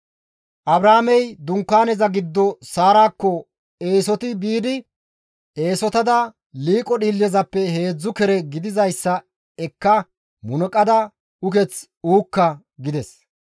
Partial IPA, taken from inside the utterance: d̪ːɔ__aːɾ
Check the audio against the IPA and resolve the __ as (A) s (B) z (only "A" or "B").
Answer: A